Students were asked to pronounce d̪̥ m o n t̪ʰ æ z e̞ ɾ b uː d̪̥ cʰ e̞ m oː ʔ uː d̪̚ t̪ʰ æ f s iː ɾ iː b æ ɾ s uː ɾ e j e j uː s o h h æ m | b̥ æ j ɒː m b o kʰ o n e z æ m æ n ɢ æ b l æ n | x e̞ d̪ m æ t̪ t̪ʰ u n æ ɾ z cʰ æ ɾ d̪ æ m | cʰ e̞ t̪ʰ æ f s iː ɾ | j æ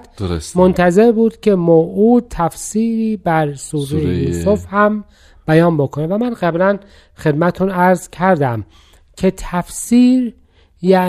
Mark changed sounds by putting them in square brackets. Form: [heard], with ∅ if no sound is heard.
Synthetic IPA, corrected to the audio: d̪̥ m o n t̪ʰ æ z e̞ ɾ b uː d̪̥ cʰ e̞ m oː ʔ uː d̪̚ t̪ʰ æ f s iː ɾ iː b æ ɾ s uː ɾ e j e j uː s o [f] h æ m | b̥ æ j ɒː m b o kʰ o n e [v] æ m æ n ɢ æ b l æ n | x e̞ d̪ m æ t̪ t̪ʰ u n æ ɾ z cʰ æ ɾ d̪ æ m | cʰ e̞ t̪ʰ æ f s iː ɾ | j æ